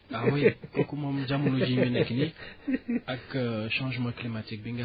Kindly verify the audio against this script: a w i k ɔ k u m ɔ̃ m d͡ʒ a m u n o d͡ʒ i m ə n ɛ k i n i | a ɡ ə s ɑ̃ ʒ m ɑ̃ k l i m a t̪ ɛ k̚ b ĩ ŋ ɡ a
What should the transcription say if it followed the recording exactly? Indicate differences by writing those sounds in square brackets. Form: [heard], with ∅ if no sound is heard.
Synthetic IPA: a w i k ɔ k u m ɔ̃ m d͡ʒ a m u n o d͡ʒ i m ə n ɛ k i n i | a [k] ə [ʃ] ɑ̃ ʒ m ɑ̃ k l i m a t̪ [i] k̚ b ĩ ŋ ɡ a